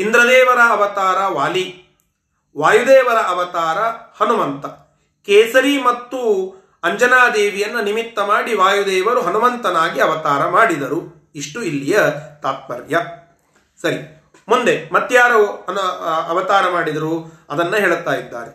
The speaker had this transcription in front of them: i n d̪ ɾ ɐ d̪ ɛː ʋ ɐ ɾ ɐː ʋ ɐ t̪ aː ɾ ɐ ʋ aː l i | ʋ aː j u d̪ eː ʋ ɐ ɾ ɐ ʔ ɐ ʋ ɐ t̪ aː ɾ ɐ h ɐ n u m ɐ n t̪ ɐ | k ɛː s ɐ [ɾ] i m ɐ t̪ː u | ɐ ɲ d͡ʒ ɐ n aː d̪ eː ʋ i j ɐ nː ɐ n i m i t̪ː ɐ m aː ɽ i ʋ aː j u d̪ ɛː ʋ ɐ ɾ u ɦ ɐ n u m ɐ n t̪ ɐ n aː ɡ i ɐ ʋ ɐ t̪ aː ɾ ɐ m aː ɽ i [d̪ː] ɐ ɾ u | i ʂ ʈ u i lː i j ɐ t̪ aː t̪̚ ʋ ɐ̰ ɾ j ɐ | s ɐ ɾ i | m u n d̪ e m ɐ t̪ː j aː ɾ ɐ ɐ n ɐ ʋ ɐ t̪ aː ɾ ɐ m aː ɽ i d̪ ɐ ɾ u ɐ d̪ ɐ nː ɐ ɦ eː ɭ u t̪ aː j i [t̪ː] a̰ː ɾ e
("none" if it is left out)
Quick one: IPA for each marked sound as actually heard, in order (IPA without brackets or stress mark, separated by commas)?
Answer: ɾ, d̪, d̪ː